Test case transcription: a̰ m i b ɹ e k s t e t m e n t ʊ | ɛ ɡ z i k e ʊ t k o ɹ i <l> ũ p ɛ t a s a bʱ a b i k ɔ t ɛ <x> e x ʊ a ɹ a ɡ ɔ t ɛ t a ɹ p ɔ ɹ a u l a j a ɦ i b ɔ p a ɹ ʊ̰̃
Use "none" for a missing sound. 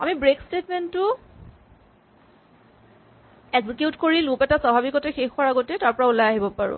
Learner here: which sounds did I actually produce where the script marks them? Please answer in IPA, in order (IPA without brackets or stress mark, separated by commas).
l, x